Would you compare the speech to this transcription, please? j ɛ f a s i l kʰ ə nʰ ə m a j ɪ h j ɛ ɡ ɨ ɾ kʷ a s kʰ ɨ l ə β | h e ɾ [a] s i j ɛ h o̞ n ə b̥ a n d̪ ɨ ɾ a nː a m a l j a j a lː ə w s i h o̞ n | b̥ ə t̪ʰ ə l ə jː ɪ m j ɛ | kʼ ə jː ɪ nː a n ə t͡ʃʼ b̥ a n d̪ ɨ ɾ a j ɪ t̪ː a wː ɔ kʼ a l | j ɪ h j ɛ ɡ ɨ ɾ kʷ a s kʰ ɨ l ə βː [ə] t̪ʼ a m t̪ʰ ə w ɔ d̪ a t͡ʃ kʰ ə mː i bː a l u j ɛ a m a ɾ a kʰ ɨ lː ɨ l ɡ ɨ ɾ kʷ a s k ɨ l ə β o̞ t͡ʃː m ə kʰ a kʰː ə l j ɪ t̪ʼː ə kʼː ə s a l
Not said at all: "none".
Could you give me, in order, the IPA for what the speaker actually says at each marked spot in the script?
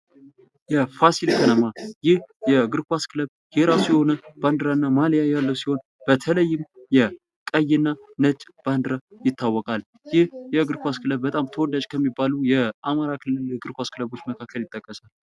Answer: a, ə

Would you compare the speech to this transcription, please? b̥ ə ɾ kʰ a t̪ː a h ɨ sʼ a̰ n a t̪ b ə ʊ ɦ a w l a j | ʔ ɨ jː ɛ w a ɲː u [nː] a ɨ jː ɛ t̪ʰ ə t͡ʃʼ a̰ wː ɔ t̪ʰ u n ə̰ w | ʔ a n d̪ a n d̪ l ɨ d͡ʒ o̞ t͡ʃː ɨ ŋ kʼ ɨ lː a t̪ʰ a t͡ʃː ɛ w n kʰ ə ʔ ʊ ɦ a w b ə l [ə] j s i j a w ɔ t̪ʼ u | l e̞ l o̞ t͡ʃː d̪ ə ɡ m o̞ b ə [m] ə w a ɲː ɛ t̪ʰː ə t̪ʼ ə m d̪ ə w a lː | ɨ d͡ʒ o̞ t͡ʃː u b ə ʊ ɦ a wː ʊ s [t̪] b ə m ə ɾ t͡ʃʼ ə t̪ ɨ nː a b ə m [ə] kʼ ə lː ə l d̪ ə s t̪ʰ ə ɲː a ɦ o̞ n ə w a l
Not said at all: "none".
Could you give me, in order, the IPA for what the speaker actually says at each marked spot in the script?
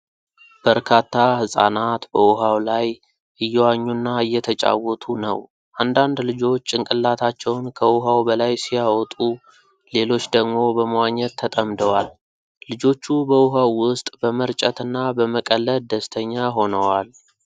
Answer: nː, a, m, t̪ʼ, ə

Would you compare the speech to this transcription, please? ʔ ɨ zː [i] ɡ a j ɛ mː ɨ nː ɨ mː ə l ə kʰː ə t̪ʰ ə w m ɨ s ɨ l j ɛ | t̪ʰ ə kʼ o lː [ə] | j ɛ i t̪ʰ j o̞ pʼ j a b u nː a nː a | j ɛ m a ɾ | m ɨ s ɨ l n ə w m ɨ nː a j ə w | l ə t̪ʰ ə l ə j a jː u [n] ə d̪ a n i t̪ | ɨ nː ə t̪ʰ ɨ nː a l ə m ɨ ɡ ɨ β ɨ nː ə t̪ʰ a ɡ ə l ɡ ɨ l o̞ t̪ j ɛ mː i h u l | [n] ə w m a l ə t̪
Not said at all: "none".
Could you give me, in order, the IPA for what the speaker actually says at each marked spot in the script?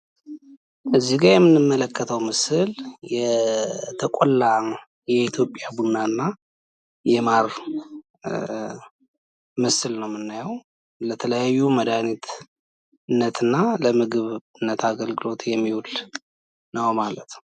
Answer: i, a, m, n

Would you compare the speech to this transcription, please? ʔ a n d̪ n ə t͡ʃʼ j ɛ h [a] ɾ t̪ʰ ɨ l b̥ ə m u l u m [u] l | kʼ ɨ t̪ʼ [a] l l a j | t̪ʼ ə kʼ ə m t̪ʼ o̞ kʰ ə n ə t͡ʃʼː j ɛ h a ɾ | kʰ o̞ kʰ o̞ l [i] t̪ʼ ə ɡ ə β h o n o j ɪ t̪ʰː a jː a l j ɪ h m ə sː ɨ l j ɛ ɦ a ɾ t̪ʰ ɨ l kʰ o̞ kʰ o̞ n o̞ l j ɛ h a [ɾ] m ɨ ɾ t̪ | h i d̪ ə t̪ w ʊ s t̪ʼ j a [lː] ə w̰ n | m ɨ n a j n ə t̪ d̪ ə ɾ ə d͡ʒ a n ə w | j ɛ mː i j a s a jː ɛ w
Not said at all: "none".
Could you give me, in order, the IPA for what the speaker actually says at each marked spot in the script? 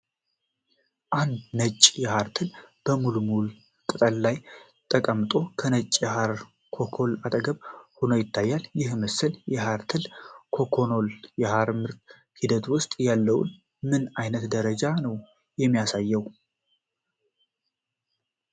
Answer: a, u, ə, a, ɾ, lː

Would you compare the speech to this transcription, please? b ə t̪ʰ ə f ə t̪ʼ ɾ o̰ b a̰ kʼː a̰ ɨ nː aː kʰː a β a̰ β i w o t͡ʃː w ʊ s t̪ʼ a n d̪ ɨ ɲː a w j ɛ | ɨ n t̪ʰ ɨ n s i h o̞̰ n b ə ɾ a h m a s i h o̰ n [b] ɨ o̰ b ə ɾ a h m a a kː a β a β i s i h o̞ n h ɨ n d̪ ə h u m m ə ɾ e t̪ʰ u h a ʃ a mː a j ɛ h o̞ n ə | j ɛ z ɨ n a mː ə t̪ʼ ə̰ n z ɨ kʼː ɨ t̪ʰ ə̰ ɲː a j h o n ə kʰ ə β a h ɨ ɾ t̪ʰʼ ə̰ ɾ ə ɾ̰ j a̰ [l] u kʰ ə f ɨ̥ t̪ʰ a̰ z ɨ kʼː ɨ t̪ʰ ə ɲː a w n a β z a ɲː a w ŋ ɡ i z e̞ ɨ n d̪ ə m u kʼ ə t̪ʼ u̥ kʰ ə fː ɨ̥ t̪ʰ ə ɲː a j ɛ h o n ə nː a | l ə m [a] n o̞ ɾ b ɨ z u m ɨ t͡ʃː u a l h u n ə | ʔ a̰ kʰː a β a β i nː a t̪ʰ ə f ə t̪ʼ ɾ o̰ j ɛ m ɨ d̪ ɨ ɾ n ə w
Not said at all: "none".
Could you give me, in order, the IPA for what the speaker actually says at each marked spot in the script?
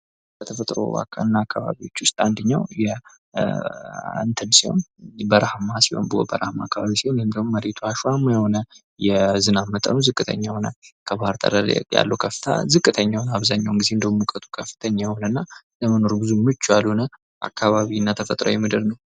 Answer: b, lː, ə

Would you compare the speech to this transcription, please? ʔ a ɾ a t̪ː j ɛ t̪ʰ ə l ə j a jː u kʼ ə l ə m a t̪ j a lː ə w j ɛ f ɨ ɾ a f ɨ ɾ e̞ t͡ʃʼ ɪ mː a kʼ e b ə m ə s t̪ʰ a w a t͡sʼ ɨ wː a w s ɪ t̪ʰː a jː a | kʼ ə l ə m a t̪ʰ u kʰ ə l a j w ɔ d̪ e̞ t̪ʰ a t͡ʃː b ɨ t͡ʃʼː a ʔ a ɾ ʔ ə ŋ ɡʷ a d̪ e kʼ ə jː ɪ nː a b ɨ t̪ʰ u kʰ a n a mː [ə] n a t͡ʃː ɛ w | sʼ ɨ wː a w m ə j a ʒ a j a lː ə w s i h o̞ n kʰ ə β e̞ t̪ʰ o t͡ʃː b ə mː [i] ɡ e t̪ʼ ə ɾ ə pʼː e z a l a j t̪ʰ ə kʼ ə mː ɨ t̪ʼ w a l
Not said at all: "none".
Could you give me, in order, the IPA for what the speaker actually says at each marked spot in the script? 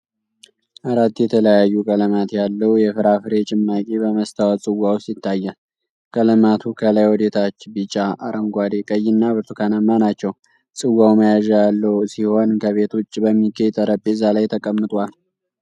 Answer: a, i

